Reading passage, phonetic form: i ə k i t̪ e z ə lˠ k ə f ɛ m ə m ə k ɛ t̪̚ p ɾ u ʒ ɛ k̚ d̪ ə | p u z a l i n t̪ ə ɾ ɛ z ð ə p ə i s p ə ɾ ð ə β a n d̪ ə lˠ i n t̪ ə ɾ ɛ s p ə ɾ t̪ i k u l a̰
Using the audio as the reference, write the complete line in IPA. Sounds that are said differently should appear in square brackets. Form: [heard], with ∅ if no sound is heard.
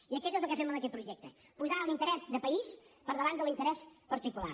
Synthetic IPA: i ə k [ɛ] t̪ e z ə lˠ k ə f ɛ m ə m ə k ɛ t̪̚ p ɾ u ʒ ɛ k̚ [t̪] ə | p u z a l i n t̪ ə ɾ ɛ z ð ə p ə i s p ə ɾ ð ə β a n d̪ ə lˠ i n t̪ ə ɾ ɛ s p ə ɾ t̪ i k u l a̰

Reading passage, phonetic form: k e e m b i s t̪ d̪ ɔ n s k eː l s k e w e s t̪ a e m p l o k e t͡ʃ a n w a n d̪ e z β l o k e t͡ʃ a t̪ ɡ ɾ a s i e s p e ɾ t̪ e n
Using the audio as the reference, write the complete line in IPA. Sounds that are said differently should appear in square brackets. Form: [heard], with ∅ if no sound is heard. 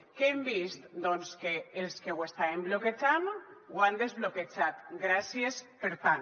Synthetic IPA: k e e m b i s t̪ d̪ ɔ n s k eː l s k e w e s t̪ a e m [b] l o k e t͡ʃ a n w a n d̪ e z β l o k e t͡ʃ a t̪ ɡ ɾ a s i e s p e ɾ t̪ [a] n

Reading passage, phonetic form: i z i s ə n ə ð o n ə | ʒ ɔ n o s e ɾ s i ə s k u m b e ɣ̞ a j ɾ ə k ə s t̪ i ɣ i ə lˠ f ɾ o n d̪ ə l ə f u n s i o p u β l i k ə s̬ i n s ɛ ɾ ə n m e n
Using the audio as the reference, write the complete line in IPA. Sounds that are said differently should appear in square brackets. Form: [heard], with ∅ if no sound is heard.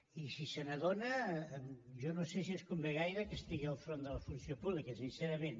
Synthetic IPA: i [s] i s ə n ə ð o n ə | ʒ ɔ n o s e [∅] s i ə s k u m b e ɣ̞ a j ɾ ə k ə s t̪ i ɣ i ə lˠ f ɾ o n d̪ ə l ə f u n s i o p u β l i k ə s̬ i n s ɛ ɾ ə [∅] m e n

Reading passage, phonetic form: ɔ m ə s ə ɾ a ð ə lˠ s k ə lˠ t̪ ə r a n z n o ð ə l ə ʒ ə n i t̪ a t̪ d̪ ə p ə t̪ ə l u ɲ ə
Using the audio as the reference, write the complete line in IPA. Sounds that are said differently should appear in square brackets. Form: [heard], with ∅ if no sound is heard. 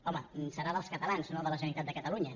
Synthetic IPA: ɔ m ə s ə ɾ a ð ə lˠ s k ə [∅] t̪ ə [l] a n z n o ð ə l ə ʒ ə n i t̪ a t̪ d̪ ə [k] ə t̪ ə l u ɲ ə

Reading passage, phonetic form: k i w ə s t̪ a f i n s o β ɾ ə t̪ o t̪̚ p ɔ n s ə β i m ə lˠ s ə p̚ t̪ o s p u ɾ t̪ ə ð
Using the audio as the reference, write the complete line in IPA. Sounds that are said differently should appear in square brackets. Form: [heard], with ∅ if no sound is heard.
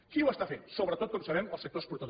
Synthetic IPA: k i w ə s t̪ a f [e] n s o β ɾ ə t̪ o t̪̚ [k] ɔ [m] s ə β [ɛ] m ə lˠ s ə [k̚] t̪ o s p u ɾ t̪ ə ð

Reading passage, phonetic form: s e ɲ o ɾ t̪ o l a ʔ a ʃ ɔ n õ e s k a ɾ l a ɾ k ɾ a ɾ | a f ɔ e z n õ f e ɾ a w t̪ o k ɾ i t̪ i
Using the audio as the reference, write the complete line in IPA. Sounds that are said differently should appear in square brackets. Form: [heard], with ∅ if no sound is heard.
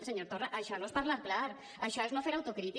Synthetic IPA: s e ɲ o ɾ t̪ o [r] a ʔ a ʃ ɔ n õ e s [p] a ɾ l a ɾ k [l] a ɾ | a [ʃ] ɔ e z n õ f e ɾ a w t̪ o k ɾ i t̪ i

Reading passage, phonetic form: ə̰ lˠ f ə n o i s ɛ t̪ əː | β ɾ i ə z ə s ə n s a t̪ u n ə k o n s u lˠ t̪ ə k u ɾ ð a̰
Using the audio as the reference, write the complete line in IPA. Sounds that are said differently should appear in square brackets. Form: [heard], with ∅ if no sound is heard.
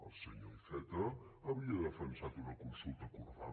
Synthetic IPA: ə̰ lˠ [s] ə [ɲ] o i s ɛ t̪ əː | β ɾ i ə [ð] ə [f] ə n s a t̪ u n ə k [u] n s u lˠ t̪ ə k u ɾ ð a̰

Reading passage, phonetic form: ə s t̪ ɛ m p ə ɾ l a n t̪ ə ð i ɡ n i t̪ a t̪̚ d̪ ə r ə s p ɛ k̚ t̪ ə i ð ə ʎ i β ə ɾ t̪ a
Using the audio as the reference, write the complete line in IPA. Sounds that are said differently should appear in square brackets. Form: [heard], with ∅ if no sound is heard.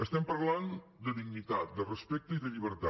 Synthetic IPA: ə s t̪ ɛ m p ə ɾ l a n [d̪] ə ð i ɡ n i t̪ a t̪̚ d̪ ə r ə s p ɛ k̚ t̪ ə i ð ə ʎ i β ə ɾ t̪ a

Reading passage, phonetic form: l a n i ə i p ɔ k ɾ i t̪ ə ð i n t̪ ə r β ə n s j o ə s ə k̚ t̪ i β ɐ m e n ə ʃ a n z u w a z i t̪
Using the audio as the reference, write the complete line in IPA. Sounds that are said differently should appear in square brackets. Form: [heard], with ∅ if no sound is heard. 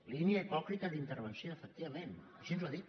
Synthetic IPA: l [i] n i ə i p ɔ k ɾ i t̪ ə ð i n t̪ ə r β ə n s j o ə [f] ə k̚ t̪ i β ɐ m e n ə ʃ [i] n z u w a [ð] i t̪

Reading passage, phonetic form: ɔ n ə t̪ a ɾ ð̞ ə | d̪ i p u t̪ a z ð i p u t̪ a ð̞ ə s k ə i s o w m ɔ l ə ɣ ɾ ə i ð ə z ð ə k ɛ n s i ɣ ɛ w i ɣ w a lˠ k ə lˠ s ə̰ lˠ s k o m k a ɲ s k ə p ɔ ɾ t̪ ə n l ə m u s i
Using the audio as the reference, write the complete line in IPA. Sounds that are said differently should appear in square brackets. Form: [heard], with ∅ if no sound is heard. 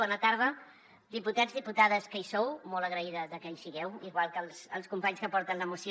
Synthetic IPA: ɔ n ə t̪ a ɾ ð̞ ə | d̪ i p u t̪ a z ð i p u t̪ a ð̞ ə s k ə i s o w m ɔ l ə ɣ ɾ ə i ð ə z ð ə k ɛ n s i ɣ ɛ w i ɣ w a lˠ k ə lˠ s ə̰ lˠ s k [u] m [p] a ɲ s k ə p ɔ ɾ t̪ ə n l ə m u s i

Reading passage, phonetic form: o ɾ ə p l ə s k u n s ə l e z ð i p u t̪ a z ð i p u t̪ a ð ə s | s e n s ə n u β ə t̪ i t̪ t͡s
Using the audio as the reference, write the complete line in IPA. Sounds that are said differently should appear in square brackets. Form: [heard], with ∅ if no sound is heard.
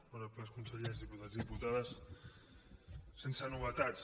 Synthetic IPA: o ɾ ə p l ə s k u n s ə [ʎ] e z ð i p u t̪ a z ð i p u t̪ a ð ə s | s e n s ə n u β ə t̪ [a] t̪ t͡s

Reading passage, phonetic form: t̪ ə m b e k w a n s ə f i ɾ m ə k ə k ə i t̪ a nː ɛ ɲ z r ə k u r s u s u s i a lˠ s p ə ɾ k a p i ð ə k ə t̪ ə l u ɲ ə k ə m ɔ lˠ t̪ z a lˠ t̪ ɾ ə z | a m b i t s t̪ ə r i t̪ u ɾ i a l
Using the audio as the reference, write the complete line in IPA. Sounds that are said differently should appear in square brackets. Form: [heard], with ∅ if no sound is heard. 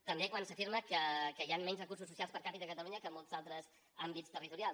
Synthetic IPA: t̪ ə m b e k w a n s ə f i ɾ m ə k ə k ə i [∅] a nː ɛ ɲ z r ə k u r s u s u s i a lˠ s p ə ɾ k a p i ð ə k ə t̪ ə l u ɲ ə k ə m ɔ lˠ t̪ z a lˠ t̪ ɾ ə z | a m b i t s t̪ ə r i t̪ u ɾ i a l

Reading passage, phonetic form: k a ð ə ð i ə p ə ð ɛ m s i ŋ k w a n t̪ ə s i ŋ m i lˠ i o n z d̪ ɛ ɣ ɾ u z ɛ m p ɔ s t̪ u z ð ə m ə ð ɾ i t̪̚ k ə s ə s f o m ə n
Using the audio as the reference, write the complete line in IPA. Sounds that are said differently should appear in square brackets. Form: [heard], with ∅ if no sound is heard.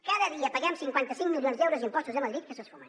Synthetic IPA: k a ð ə ð i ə p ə [ɣ] ɛ m s i ŋ k w a n t̪ ə s i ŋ m i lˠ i o n z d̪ ɛ [w] ɾ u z [i] m p ɔ s t̪ u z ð ə m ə ð ɾ i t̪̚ k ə s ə s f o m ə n

